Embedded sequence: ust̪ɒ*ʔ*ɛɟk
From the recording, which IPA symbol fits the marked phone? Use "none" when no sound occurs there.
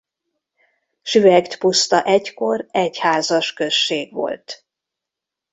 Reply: ʔ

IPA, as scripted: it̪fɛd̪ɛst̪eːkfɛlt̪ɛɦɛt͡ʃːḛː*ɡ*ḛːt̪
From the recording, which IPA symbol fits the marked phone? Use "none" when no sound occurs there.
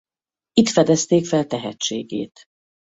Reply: ɡ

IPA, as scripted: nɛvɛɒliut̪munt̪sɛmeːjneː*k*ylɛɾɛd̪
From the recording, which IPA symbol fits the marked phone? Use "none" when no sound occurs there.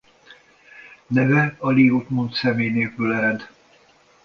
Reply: k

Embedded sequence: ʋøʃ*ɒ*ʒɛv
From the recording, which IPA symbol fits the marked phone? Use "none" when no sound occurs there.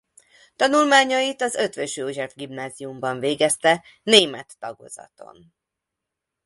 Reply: o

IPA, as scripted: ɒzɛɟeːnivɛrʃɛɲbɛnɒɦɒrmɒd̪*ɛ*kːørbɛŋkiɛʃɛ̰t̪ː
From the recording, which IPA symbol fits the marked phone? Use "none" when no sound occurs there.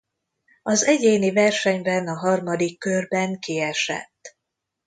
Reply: i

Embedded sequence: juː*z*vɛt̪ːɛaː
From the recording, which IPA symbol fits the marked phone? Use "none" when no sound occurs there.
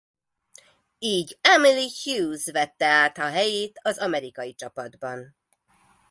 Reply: z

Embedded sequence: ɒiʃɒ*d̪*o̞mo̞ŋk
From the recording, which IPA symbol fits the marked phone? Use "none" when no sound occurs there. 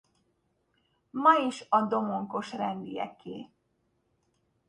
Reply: d̪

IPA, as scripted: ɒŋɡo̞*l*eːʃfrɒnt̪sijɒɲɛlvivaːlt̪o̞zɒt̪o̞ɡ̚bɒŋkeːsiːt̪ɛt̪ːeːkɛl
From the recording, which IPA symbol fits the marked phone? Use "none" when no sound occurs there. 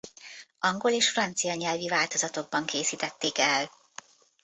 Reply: l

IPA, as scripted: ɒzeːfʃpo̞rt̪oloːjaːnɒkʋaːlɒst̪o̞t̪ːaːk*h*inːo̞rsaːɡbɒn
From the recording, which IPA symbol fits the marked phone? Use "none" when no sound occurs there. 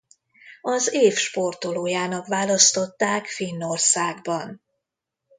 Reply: f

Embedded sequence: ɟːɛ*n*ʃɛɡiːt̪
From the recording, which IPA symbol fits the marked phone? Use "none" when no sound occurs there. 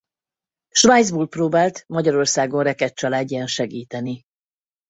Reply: n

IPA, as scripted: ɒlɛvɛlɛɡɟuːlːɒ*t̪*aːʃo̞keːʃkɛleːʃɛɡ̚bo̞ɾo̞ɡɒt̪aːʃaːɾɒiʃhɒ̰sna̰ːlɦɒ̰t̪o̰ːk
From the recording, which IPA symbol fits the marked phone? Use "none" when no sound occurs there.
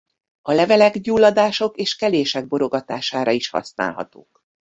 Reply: d̪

